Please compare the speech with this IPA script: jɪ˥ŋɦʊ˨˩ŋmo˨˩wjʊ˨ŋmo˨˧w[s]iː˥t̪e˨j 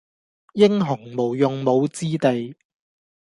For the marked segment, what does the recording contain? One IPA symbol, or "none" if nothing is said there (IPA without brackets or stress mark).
t͡s